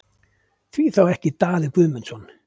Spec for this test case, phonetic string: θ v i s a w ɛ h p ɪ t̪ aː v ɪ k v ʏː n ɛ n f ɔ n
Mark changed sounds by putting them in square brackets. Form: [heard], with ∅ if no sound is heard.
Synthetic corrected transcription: θ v i [θ] a w ɛ h [c] ɪ t̪ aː [ð] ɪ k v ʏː [m] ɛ n [s] ɔ n

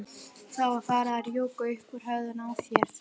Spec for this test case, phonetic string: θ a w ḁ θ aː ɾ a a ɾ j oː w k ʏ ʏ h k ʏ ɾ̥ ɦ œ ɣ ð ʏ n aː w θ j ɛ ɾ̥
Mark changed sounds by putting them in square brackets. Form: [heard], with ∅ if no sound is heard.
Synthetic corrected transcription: θ a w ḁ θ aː ɾ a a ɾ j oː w k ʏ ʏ h k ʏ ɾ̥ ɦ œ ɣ ð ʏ n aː w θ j ɛ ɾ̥

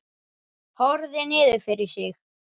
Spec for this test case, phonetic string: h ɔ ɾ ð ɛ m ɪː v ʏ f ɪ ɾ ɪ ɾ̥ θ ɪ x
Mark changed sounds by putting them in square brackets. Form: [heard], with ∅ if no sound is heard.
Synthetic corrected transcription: h ɔ ɾ ð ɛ [n] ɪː [ð] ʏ f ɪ ɾ ɪ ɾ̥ [s] ɪ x

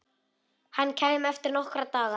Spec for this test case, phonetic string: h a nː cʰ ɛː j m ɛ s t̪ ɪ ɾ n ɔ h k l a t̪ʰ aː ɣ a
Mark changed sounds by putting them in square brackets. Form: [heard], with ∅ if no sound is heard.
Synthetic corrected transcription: h a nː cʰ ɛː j m ɛ [f] t̪ ɪ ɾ n ɔ h k [ɾ] a [t̪] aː ɣ a

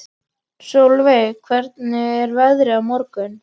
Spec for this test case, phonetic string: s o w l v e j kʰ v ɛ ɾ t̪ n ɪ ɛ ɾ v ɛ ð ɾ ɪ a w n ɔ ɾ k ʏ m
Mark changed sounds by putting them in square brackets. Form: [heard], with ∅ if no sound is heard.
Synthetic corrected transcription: s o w l v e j kʰ v ɛ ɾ t̪ n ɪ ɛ ɾ v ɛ ð ɾ ɪ a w [m] ɔ ɾ k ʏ [n]

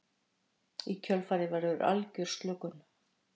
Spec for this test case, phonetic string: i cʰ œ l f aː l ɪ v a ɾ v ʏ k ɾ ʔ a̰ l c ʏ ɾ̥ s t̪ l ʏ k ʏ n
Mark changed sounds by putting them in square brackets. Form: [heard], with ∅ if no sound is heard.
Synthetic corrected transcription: i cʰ œ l f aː [ɾ] ɪ v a ɾ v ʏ [∅] ɾ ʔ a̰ l c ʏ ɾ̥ s t̪ l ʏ k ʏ n

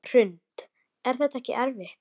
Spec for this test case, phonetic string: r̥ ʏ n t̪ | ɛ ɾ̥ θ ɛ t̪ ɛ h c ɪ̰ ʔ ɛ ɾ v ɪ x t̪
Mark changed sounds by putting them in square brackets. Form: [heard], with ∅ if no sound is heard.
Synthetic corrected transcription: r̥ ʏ n t̪ | ɛ ɾ̥ θ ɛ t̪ ɛ h c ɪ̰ ʔ ɛ ɾ v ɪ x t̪

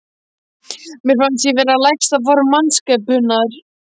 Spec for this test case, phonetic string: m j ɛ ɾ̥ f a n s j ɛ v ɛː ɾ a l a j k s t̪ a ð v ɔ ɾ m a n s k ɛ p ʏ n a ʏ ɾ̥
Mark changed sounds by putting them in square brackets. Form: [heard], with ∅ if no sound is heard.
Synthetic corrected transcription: m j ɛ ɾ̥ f a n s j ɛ v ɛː ɾ a l a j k s t̪ a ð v ɔ ɾ m a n s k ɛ p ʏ n a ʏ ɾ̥

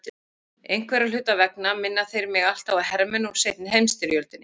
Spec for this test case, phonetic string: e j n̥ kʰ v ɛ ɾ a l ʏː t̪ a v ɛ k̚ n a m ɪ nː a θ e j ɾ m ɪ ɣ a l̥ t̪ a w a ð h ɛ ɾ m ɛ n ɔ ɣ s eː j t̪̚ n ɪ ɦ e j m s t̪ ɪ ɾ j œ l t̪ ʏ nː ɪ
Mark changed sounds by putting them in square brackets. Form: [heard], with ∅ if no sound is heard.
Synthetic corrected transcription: e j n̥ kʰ v ɛ ɾ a l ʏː t̪ a v ɛ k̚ n a m ɪ nː a θ e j ɾ m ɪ ɣ a l̥ t̪ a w a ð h ɛ ɾ m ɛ n ɔ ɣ s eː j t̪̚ n ɪ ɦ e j m s t̪ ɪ ɾ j œ l t̪ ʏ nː ɪ

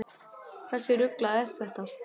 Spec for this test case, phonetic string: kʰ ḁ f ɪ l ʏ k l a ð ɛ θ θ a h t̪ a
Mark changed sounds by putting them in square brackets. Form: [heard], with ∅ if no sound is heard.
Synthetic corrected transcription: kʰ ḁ [s] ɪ [ɾ] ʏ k l a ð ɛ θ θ [ɛ] h t̪ a

